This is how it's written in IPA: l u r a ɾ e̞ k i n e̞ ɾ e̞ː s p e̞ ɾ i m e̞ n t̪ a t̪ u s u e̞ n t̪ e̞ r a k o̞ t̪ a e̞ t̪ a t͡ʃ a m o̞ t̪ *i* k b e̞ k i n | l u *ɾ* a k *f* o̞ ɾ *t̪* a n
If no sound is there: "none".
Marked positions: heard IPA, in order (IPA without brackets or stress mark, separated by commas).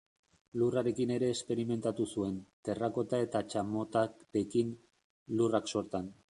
a, r, s, t̪